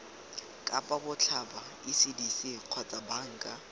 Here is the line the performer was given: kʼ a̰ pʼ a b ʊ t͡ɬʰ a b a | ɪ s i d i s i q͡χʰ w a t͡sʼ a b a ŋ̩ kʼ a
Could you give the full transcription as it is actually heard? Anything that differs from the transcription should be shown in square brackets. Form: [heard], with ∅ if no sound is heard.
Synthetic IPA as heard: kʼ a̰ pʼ a b ʊ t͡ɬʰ a b a | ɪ s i d i s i q͡χʰ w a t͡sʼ a b a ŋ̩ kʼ a